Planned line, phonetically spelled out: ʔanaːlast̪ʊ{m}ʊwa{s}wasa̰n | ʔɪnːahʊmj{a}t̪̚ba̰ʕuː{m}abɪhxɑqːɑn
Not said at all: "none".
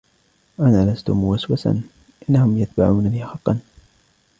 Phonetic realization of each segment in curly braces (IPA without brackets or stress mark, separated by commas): m, s, a, n